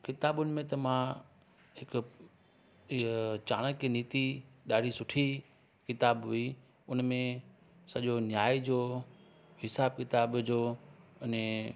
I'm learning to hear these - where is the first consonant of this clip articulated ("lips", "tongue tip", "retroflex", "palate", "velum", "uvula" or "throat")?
velum